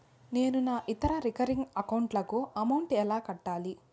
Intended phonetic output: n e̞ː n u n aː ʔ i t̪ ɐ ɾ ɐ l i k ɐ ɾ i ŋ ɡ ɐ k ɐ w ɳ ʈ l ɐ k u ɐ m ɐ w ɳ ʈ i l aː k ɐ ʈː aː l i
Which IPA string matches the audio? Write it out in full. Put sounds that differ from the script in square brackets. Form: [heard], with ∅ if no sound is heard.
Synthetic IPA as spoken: n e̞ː n u n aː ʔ i t̪ ɐ ɾ ɐ [ɾ] i k ɐ ɾ i ŋ ɡ ɐ k ɐ w ɳ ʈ l ɐ k u ɐ m ɐ w ɳ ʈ [ɛ] l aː k ɐ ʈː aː l i